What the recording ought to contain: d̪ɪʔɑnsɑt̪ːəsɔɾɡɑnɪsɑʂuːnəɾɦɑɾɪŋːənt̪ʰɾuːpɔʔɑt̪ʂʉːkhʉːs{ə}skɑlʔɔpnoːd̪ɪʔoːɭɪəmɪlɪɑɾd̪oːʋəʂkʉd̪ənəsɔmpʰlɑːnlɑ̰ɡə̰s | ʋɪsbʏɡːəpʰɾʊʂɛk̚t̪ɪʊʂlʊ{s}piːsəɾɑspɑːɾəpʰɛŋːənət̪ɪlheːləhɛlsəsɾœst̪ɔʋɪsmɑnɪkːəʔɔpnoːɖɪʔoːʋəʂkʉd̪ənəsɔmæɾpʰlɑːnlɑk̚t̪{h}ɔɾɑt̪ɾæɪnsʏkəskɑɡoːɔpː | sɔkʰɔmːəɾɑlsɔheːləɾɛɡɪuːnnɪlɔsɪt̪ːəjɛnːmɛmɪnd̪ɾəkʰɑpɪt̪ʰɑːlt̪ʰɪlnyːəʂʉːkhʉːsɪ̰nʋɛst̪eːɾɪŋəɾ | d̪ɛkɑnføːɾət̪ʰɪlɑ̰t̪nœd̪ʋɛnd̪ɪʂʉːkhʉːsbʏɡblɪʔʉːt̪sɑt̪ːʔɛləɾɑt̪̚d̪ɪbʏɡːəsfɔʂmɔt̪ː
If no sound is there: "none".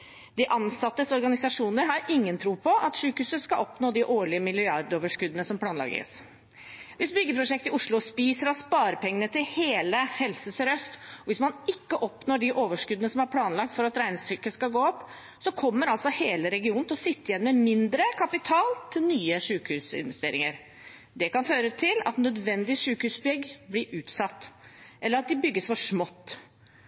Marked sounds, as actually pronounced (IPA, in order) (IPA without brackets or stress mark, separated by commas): ə, s, f